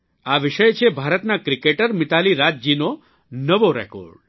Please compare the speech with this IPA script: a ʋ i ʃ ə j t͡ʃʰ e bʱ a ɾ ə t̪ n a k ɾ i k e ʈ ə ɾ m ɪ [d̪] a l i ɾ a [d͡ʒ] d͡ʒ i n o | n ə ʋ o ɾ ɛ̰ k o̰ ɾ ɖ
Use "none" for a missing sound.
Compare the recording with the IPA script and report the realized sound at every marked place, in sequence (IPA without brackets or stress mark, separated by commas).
t̪, d͡ʒ